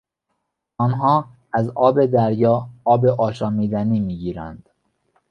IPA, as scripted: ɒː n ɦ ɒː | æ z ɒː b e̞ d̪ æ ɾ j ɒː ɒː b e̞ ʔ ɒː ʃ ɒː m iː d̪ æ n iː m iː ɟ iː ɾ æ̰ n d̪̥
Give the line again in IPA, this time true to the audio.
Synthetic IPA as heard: ɒː n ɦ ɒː | æ z ɒː b e̞ d̪ æ ɾ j ɒː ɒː b e̞ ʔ ɒː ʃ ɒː m iː d̪ æ n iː m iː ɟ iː ɾ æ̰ n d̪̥